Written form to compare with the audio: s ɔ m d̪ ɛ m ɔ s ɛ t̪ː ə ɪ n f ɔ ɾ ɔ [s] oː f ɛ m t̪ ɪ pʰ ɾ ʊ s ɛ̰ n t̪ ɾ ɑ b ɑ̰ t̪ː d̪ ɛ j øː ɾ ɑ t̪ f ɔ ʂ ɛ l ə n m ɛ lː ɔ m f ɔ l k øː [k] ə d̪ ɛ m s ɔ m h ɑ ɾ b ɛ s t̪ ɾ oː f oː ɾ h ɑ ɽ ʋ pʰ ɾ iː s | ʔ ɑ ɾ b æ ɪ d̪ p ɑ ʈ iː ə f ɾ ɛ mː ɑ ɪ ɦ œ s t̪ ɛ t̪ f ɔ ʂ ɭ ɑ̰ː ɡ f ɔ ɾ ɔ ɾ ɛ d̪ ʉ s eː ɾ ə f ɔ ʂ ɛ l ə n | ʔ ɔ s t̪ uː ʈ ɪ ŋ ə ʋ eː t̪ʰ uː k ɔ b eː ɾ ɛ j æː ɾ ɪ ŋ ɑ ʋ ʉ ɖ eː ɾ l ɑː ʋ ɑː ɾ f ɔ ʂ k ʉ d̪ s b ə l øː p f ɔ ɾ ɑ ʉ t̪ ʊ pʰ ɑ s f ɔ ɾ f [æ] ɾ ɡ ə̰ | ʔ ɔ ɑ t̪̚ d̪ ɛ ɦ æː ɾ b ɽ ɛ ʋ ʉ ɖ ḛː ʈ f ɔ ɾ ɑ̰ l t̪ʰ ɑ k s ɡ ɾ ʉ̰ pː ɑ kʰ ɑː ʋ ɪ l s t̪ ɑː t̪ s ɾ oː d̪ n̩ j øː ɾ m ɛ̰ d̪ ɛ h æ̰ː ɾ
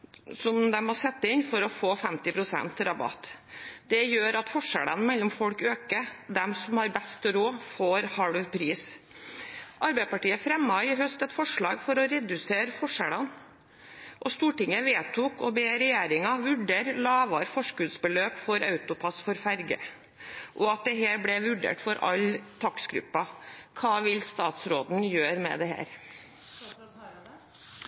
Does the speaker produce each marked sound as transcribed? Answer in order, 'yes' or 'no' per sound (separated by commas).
no, yes, yes